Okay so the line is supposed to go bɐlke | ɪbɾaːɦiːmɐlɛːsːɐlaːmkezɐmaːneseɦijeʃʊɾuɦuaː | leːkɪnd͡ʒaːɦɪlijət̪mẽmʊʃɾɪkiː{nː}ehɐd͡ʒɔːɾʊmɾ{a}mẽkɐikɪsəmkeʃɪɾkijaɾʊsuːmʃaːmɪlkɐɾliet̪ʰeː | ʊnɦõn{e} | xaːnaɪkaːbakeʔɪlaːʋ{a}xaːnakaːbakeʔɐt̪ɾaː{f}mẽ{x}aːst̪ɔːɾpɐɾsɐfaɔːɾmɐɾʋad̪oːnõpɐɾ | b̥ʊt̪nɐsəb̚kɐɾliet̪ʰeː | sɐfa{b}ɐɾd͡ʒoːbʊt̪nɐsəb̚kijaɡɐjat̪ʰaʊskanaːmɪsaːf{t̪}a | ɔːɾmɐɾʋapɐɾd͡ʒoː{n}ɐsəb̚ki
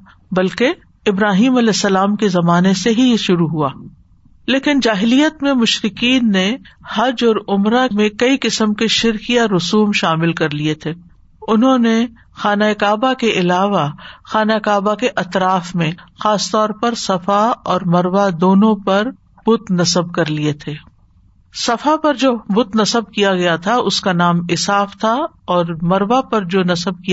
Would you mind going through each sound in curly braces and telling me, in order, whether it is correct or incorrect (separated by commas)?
correct, correct, correct, correct, correct, correct, incorrect, incorrect, correct